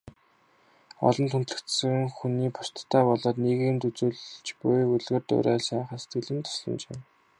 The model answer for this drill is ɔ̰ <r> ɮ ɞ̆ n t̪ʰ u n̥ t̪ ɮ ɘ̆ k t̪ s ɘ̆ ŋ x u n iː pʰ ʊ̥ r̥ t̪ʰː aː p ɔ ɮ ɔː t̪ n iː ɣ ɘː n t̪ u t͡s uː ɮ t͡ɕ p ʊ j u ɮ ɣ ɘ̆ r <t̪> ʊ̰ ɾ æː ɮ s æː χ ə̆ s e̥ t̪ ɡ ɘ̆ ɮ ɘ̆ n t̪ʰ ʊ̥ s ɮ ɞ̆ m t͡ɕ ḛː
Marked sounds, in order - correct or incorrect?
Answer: incorrect, correct

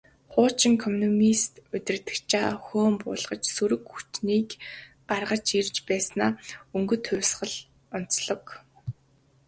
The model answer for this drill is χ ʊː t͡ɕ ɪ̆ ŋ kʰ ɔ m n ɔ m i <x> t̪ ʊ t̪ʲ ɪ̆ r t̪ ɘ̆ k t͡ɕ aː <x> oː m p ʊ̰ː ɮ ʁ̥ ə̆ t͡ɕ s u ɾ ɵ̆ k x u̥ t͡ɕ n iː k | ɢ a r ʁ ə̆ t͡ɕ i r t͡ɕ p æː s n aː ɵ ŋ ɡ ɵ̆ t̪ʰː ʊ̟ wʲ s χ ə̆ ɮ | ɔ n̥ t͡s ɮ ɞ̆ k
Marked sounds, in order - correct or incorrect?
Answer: incorrect, correct

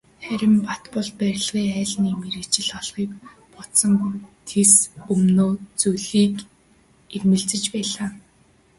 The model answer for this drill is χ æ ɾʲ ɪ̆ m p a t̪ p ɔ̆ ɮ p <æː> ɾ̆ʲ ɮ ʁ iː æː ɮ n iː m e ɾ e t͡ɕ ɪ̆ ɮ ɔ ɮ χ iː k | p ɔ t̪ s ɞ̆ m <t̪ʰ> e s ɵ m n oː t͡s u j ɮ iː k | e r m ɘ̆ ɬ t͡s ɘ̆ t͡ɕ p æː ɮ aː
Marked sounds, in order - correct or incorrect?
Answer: incorrect, correct

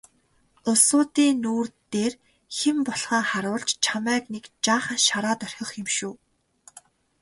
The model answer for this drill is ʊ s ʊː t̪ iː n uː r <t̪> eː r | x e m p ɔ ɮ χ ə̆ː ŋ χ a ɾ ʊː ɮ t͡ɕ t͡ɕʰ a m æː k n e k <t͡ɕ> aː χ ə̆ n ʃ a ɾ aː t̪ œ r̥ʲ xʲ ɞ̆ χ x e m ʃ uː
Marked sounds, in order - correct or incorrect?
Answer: correct, correct

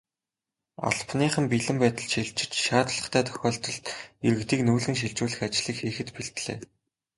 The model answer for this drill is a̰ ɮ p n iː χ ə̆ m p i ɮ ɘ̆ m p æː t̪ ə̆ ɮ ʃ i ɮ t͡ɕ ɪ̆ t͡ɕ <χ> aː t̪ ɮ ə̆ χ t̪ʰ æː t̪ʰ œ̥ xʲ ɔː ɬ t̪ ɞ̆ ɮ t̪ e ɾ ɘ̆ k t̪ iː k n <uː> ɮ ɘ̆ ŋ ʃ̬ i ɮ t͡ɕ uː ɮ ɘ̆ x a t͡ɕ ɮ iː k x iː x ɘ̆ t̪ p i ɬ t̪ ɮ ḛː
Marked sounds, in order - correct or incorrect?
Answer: incorrect, correct

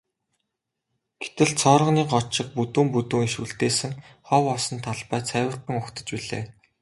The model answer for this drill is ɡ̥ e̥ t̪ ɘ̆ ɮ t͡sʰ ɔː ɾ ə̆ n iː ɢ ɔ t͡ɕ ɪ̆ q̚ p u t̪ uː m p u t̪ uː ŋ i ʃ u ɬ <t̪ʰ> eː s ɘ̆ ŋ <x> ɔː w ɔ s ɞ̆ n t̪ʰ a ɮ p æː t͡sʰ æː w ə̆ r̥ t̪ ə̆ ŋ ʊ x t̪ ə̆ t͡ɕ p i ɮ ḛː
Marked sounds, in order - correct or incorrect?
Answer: incorrect, incorrect

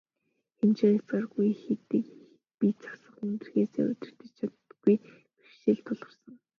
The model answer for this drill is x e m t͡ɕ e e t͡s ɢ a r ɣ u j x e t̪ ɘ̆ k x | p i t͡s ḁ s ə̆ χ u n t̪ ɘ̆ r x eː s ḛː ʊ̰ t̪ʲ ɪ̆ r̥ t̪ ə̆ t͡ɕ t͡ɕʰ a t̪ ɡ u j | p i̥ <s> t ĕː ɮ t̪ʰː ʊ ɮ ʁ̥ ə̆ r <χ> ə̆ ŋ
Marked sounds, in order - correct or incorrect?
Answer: incorrect, incorrect

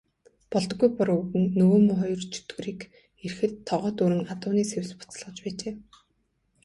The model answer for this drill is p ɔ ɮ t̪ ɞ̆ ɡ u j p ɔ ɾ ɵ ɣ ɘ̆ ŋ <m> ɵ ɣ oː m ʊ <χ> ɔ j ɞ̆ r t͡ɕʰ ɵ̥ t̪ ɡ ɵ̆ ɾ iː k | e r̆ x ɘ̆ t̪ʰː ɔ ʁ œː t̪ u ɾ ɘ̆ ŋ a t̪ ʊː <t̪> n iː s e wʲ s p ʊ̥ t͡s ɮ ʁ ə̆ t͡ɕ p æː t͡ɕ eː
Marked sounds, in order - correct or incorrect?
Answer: incorrect, correct, incorrect

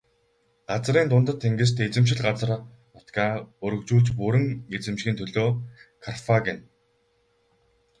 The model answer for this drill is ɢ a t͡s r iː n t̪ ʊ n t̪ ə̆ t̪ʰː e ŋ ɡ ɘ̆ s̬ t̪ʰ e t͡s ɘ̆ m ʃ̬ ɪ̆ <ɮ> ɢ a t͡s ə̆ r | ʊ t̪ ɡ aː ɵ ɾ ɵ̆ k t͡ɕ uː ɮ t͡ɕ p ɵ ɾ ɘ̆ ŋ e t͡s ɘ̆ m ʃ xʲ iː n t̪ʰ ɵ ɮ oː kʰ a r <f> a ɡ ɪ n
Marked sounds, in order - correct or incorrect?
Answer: correct, correct

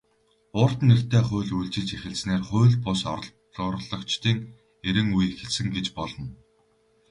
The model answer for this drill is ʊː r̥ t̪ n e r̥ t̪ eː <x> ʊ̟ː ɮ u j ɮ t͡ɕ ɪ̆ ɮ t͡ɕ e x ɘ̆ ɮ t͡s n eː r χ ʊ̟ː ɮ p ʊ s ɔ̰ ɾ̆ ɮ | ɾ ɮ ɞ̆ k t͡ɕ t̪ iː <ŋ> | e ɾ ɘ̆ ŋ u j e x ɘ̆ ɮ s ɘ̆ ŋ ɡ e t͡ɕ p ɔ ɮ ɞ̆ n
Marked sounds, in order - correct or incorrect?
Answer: incorrect, correct

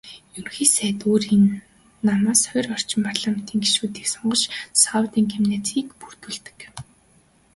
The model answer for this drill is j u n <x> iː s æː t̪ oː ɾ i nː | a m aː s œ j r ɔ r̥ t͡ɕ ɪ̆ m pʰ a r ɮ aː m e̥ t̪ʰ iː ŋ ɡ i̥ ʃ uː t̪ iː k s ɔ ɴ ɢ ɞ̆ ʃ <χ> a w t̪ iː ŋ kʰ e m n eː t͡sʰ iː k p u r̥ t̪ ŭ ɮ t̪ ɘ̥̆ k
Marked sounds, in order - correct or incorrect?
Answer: correct, incorrect

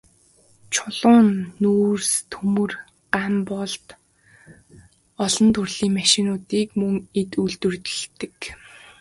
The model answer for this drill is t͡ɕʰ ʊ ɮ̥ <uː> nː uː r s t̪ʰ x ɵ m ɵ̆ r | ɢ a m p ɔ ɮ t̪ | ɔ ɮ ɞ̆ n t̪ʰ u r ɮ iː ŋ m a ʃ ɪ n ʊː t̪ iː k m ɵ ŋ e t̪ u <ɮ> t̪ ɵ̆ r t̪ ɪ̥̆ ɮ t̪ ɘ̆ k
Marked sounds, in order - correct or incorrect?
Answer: incorrect, correct

